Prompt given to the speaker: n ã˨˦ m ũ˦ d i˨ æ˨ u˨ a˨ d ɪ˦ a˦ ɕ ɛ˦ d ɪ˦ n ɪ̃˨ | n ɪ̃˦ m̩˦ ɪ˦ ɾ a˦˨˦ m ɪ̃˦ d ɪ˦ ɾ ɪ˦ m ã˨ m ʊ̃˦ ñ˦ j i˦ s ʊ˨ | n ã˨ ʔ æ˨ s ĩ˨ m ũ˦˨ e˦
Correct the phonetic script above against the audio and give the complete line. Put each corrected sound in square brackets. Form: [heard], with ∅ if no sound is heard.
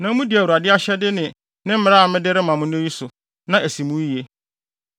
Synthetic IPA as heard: n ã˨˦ m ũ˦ d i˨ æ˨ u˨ a˨ d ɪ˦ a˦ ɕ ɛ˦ d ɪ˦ n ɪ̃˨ | n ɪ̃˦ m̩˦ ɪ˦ ɾ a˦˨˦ m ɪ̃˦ d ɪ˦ ɾ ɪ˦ m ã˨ m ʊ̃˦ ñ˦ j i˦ s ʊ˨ | n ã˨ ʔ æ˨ s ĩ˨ m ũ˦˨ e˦